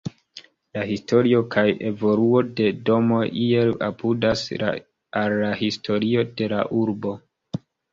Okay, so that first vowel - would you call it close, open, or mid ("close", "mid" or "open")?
open